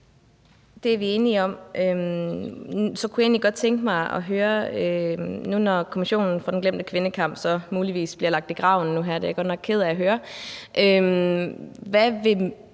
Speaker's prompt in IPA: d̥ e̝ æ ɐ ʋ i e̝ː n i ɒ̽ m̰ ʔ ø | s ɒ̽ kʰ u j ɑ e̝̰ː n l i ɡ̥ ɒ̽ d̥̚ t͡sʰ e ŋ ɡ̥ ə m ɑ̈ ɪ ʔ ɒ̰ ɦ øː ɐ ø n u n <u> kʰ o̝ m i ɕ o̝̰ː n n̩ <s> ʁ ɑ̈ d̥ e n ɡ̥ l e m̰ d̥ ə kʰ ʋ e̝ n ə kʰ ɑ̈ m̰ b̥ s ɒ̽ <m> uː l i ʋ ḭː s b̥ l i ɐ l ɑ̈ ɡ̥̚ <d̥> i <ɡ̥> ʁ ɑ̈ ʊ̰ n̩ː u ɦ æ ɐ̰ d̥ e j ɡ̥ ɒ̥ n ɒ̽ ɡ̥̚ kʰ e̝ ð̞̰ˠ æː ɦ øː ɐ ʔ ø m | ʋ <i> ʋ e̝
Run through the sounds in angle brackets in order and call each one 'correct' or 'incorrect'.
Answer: incorrect: ɒ, incorrect: f, correct, correct, correct, incorrect: æ

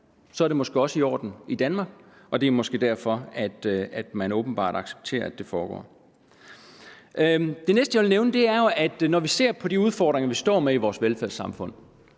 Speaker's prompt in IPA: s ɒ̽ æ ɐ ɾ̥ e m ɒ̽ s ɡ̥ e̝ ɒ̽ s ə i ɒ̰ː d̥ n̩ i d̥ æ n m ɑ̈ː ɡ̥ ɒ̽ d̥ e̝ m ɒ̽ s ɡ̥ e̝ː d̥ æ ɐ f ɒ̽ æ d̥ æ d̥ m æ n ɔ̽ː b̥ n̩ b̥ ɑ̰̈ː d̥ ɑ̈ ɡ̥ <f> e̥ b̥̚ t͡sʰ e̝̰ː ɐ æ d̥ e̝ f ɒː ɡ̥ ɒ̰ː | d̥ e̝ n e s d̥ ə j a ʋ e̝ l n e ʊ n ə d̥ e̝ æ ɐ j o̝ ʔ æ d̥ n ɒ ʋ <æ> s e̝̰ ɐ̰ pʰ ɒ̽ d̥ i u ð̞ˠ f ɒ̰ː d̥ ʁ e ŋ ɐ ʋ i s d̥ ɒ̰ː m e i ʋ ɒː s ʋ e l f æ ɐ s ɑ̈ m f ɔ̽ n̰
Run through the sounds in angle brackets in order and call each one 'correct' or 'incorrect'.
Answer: incorrect: s, incorrect: i

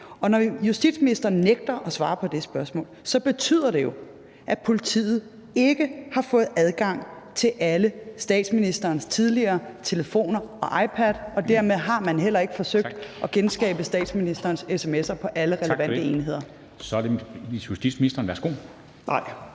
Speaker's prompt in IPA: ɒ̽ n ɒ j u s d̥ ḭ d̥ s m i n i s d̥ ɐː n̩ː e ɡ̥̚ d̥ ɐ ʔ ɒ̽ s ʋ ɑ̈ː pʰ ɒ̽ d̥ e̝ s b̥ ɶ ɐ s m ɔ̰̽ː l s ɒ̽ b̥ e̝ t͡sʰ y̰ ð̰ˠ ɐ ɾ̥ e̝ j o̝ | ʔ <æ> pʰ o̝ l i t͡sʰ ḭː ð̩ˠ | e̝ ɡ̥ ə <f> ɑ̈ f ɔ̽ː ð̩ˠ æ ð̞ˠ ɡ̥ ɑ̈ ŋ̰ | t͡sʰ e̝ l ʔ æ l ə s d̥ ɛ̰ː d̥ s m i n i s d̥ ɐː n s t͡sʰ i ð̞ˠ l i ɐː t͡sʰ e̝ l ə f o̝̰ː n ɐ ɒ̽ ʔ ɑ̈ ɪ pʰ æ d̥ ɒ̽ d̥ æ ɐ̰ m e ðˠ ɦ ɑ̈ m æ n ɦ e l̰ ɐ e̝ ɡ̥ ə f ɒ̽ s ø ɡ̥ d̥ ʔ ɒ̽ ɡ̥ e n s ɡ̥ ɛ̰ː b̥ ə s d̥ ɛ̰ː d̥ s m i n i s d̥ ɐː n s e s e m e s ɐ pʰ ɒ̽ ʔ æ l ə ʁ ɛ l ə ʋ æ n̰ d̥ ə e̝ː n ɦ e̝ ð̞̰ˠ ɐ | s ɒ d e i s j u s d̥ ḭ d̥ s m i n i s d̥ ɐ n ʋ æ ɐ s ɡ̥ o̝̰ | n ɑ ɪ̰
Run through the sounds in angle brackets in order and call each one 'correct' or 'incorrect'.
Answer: correct, incorrect: h

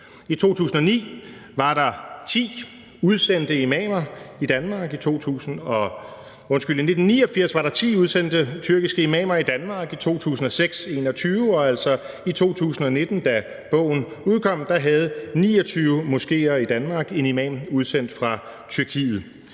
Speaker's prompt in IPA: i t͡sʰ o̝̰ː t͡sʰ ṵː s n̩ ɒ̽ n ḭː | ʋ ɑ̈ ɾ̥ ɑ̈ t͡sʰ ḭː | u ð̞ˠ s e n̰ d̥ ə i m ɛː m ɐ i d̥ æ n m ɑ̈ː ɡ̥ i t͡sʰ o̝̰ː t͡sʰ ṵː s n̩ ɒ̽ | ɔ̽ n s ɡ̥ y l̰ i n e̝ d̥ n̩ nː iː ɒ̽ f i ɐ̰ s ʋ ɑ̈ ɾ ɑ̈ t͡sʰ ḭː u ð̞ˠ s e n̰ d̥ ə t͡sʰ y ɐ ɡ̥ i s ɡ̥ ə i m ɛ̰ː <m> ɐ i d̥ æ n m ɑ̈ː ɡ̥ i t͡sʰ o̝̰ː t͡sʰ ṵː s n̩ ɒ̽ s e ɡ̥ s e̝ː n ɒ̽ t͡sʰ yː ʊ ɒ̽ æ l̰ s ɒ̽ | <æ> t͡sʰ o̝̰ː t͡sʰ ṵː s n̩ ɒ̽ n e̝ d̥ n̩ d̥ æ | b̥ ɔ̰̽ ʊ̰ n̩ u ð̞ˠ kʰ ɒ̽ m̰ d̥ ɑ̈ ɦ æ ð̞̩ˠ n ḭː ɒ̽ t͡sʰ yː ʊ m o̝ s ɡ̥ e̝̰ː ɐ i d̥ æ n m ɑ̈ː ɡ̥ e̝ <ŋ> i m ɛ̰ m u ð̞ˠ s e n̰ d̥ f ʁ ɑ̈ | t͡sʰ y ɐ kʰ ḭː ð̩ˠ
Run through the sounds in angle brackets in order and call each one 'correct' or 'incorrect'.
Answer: correct, incorrect: i, incorrect: n

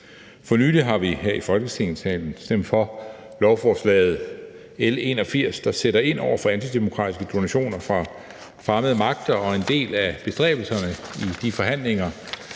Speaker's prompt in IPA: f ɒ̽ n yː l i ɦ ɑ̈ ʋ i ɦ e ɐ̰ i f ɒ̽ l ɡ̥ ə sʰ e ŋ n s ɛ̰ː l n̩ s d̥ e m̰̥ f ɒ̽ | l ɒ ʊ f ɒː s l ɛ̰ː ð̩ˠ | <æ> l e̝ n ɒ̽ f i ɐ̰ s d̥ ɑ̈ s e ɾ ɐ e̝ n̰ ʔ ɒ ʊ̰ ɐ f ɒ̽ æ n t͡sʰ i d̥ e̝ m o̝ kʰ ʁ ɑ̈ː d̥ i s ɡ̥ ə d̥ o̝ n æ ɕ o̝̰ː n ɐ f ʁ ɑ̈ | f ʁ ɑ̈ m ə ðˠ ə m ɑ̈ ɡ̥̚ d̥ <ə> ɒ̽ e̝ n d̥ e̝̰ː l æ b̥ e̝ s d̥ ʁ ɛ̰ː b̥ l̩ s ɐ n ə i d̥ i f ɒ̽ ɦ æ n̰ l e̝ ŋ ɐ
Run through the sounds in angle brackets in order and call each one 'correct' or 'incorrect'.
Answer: incorrect: e, incorrect: ɐ

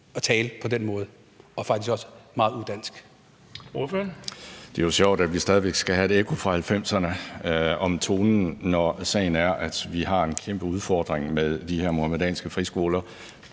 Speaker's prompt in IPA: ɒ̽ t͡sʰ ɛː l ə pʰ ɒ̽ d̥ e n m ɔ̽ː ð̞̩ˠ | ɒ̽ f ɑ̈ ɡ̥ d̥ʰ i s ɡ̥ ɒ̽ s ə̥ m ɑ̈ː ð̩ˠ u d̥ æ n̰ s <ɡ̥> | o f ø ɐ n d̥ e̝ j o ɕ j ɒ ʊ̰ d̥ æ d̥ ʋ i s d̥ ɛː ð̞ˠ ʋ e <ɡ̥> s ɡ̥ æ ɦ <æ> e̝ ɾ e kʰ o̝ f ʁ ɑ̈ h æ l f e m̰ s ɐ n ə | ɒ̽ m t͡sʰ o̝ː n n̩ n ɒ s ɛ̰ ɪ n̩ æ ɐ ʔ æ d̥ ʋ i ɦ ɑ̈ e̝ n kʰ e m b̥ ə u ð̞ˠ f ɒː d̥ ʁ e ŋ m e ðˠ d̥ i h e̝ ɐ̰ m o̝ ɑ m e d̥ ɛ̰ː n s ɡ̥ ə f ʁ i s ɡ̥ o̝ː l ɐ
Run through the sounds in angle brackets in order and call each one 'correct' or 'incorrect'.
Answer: correct, correct, correct

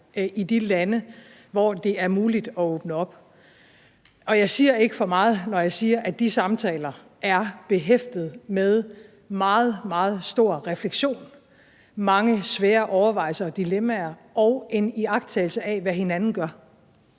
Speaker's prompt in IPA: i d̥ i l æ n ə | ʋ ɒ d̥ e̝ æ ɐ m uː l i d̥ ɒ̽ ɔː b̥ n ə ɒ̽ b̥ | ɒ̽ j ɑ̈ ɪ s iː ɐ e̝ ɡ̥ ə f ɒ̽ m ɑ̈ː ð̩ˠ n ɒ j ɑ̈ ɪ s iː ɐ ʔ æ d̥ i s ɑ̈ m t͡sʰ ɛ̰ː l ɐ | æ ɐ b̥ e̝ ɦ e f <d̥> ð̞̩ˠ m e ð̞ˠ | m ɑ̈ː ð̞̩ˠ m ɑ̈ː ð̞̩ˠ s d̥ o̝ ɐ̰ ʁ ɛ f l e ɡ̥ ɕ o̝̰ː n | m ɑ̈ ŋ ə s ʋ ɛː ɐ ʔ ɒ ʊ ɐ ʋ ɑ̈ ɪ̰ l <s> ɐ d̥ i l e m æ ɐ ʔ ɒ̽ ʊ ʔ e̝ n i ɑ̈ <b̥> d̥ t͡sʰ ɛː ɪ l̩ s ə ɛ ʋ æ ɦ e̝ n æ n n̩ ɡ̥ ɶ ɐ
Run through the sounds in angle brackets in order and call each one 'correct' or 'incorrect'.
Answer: correct, correct, incorrect: ɡ̥

